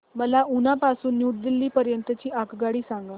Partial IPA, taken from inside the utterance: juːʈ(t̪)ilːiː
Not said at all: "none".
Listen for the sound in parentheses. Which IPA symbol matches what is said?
d̪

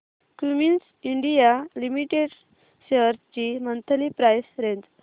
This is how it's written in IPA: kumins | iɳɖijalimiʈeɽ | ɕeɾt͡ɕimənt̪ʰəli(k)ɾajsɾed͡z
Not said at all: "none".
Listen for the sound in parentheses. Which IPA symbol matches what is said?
p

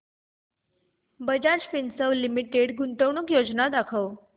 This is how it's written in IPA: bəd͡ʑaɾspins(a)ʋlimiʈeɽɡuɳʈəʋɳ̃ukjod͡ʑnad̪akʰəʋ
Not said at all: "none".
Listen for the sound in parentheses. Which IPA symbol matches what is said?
ə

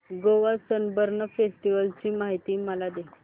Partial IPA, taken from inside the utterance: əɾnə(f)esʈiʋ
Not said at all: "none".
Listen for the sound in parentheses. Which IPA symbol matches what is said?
f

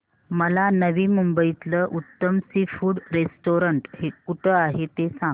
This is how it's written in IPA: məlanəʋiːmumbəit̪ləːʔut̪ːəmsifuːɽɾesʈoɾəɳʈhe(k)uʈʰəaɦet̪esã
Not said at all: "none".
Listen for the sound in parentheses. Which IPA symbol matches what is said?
k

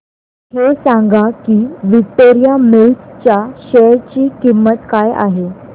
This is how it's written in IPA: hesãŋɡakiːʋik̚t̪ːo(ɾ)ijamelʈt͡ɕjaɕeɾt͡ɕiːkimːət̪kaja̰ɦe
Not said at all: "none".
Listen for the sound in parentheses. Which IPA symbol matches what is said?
ɾ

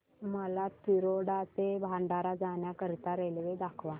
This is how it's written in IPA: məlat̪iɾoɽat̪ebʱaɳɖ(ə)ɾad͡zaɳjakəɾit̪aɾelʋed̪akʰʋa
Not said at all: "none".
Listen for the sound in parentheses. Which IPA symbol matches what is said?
a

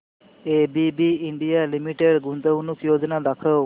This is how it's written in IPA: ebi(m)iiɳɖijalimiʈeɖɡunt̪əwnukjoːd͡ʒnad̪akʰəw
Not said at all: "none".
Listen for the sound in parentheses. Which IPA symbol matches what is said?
b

